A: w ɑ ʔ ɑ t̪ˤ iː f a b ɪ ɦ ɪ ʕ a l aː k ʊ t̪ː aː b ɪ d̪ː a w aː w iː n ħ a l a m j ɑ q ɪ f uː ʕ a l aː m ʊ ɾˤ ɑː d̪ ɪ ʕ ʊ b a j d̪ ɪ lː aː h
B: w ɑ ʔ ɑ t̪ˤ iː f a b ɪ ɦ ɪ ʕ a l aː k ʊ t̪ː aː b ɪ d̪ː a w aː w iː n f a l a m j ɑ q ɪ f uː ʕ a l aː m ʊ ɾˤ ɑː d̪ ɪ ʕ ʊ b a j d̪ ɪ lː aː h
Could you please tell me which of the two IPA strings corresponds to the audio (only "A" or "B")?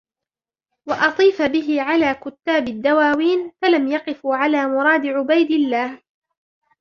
B